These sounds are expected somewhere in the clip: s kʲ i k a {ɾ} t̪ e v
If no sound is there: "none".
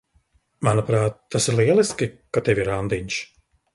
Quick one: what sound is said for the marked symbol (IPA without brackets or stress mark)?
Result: none